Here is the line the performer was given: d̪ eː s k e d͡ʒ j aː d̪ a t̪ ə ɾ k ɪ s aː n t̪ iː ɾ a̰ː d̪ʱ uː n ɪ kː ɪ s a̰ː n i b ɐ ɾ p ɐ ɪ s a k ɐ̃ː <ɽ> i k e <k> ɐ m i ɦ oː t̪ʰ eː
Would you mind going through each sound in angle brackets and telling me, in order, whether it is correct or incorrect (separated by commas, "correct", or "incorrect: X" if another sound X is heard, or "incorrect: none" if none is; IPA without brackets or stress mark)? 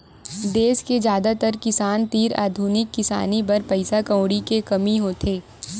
correct, correct